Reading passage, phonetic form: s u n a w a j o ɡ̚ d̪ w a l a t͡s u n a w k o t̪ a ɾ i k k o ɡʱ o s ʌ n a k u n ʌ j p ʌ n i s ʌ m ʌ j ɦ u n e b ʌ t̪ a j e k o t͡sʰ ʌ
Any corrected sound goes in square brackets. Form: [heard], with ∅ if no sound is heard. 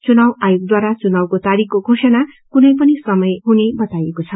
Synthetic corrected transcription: [t͡s] u n a w a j o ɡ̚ d̪ w a [ɾ] a t͡s u n a w k o t̪ a ɾ i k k o ɡʱ o s ʌ n a k u n ʌ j p ʌ n i s ʌ m ʌ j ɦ u n e b ʌ t̪ a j e k o t͡sʰ ʌ